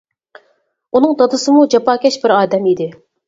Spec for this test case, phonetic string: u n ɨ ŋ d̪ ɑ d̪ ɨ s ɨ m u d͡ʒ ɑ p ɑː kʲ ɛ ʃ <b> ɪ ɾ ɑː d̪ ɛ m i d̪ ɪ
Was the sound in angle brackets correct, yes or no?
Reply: yes